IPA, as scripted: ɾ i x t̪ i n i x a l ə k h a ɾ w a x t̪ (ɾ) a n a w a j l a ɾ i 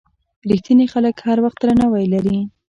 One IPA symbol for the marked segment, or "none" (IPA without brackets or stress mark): ɾ